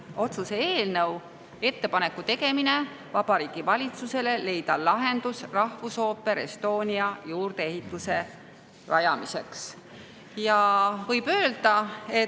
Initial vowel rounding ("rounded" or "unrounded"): rounded